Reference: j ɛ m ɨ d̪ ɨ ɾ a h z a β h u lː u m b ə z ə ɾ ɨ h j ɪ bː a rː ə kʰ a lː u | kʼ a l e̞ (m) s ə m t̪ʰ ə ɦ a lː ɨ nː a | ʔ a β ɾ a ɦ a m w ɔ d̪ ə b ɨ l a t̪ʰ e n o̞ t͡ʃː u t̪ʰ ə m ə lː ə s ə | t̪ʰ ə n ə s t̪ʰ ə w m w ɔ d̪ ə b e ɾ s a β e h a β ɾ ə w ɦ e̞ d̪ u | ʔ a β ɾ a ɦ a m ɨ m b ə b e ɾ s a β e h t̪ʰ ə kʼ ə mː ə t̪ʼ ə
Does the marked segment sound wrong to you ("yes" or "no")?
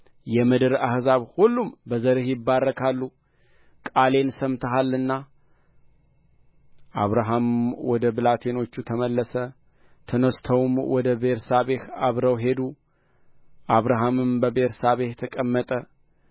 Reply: yes